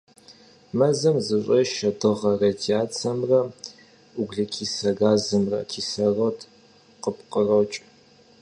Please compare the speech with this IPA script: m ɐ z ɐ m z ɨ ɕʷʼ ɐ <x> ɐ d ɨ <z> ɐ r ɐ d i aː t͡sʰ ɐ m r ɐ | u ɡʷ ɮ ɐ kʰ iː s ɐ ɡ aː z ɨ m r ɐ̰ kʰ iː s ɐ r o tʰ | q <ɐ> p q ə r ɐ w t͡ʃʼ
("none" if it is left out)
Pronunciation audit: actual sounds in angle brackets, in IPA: ʃ, ʁ, ə

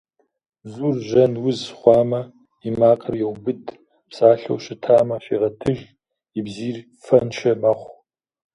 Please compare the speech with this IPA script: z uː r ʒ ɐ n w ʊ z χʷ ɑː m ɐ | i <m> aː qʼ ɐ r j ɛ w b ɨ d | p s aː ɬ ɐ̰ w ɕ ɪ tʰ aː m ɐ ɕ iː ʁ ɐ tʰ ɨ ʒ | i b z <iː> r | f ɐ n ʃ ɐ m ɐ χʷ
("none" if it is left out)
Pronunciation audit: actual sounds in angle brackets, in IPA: m, iː

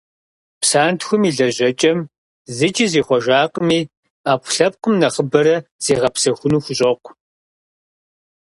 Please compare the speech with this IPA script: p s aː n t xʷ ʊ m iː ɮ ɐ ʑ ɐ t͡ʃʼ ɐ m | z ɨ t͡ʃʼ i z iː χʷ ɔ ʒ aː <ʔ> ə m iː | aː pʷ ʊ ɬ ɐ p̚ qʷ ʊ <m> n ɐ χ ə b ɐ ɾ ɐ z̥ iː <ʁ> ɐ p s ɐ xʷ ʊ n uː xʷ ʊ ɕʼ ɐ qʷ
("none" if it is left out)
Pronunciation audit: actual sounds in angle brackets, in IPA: q, m, ʁ

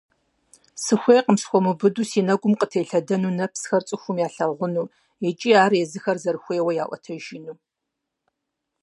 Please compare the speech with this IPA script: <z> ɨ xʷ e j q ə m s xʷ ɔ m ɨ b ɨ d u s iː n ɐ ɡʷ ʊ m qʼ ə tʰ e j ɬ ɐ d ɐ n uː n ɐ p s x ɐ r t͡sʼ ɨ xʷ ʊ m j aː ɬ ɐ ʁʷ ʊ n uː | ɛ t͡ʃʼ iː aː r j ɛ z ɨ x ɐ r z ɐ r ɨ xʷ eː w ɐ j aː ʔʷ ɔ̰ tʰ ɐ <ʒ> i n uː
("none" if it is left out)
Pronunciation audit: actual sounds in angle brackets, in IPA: s, ʒ

